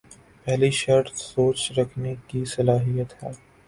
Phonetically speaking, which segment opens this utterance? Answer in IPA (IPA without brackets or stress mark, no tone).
p